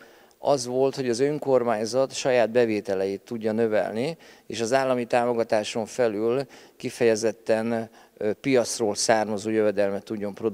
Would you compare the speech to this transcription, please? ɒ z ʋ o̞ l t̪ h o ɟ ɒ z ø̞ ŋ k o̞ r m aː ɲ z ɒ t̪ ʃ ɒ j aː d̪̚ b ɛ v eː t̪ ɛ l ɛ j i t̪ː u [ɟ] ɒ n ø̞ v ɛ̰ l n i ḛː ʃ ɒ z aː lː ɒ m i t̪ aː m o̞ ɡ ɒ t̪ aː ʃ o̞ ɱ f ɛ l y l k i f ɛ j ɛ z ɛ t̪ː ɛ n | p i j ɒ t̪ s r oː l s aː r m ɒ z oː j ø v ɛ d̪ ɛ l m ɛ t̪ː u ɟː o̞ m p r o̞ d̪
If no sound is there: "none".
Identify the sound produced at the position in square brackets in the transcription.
ɟː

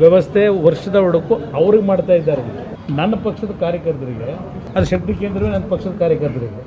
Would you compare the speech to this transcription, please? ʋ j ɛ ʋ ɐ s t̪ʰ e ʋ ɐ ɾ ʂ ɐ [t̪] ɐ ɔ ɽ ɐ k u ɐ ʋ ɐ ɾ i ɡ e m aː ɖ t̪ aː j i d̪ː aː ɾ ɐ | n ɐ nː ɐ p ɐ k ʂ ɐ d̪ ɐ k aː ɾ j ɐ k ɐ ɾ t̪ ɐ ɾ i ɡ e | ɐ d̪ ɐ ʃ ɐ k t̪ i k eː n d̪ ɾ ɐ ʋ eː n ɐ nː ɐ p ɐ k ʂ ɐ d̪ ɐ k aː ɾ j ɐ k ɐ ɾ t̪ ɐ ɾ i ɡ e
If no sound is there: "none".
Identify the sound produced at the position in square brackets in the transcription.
d̪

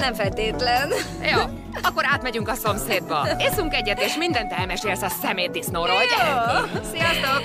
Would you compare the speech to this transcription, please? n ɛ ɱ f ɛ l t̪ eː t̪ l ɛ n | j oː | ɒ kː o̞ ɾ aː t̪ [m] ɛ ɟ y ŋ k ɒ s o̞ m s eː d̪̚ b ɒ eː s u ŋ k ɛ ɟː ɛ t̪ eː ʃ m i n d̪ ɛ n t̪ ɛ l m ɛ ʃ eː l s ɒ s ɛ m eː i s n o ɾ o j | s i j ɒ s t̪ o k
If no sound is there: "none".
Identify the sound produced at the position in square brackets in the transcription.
m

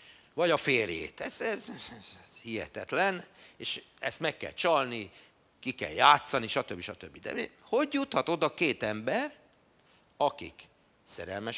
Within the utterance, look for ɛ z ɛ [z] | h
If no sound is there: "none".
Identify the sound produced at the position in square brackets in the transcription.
z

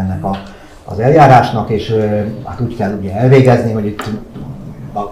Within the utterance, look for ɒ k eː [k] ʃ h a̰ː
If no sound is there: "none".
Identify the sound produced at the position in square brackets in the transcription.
none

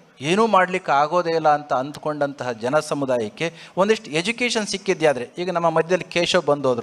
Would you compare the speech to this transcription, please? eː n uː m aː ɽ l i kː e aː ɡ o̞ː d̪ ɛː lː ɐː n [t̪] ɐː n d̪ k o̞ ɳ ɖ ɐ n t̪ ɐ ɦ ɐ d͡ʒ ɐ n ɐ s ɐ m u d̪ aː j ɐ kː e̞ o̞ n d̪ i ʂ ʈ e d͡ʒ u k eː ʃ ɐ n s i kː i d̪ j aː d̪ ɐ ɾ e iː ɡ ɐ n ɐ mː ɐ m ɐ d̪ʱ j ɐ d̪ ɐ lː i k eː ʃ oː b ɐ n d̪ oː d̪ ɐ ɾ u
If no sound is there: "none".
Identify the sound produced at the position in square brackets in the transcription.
t̪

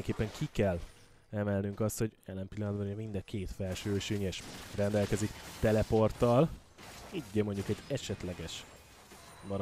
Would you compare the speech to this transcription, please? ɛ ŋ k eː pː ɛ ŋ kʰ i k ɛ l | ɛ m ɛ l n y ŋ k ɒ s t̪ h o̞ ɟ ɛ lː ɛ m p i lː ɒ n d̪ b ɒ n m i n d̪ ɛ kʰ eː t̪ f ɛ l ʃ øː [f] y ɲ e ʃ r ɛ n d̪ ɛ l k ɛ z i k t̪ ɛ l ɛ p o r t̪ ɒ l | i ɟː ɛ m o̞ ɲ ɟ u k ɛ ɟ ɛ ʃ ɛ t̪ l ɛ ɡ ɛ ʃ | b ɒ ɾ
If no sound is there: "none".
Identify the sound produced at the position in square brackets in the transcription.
ʃ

